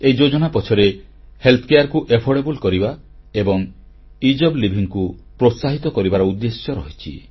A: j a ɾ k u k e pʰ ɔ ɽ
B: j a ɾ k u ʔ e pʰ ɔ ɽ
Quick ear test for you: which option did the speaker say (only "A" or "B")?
B